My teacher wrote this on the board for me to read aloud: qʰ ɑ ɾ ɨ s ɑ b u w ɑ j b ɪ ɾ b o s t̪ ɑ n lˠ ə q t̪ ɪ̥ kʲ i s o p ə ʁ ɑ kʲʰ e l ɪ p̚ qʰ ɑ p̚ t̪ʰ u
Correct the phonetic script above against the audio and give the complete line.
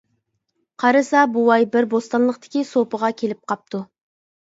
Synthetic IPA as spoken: qʰ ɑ ɾ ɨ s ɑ b u w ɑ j b ɪ ɾ b o s t̪ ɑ n lˠ ə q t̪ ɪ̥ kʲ i s o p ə ʁ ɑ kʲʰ e l ɪ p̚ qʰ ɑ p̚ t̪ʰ u